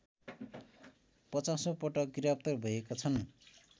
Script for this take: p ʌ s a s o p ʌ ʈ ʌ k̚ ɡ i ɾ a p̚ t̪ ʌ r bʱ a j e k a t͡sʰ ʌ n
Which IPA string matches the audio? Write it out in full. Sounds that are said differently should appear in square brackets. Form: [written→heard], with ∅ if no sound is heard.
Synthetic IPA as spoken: p ʌ [s→t͡s] a s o p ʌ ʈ ʌ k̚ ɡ i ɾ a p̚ t̪ ʌ r bʱ [a→ʌ] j e k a t͡sʰ ʌ n